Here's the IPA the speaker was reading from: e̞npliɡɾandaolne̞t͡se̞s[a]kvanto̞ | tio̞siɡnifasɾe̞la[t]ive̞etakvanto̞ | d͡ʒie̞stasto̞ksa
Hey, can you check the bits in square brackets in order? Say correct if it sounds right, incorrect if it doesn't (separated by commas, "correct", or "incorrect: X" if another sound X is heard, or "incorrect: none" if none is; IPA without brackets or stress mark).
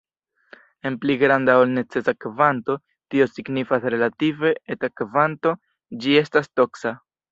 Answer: correct, correct